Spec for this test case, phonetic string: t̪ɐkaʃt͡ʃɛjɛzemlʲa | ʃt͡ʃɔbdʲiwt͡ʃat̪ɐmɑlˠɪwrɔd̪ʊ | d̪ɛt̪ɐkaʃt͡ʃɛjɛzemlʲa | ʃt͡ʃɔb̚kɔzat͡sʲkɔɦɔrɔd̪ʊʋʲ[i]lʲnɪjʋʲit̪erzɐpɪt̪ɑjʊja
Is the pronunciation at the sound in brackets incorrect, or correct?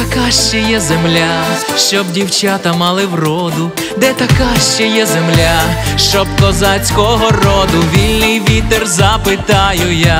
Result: correct